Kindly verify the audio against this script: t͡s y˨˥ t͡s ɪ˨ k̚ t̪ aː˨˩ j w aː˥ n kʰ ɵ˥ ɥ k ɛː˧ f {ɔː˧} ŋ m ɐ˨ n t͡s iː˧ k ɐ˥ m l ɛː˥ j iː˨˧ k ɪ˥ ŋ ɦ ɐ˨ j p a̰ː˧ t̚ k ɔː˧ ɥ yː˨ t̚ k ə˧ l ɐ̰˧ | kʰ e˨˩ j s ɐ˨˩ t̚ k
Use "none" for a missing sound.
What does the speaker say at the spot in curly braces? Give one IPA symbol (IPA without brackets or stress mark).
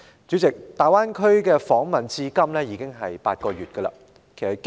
ɔː˨˥